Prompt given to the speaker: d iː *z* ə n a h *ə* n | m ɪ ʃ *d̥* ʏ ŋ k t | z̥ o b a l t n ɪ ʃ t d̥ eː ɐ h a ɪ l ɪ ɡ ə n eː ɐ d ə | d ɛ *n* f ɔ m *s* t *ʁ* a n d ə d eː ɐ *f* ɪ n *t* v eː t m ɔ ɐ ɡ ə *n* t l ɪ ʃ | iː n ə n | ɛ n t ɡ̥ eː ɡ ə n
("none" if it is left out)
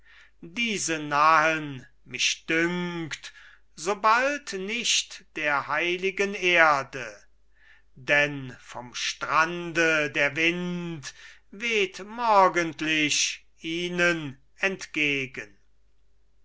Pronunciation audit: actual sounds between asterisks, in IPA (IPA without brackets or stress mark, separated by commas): z, ə, d̥, n, ʃ, ʁ, v, t, n